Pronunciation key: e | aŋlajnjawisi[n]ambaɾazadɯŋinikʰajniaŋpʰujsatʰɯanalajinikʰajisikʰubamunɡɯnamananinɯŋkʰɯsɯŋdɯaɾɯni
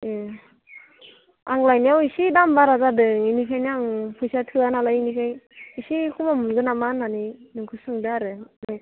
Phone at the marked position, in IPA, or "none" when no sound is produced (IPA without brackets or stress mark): d